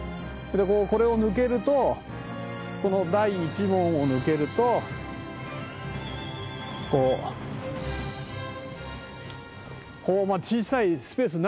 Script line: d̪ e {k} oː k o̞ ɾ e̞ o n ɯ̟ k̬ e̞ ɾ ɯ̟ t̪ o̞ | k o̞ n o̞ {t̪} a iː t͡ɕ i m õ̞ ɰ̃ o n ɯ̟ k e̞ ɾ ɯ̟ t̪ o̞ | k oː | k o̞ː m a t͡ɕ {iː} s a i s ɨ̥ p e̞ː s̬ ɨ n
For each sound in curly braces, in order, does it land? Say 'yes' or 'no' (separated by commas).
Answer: yes, no, yes